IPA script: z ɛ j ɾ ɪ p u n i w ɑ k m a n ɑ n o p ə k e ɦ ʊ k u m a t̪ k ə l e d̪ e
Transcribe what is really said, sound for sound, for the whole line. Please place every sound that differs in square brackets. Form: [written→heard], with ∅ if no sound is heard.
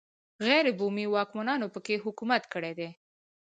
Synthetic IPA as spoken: [z→ɣ] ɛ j ɾ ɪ [p→b] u [n→m] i w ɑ k m a n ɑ n o p ə k e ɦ ʊ k u m a t̪ k ə [l→ɽ] e d̪ e